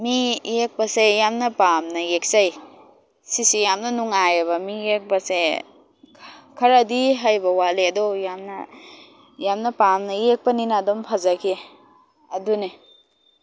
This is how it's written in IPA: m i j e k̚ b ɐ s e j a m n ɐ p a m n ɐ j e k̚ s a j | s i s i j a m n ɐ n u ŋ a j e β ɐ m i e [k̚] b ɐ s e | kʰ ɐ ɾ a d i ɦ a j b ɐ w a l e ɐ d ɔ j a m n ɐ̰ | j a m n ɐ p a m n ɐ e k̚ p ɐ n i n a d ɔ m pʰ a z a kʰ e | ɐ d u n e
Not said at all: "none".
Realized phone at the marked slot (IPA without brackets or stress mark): k̚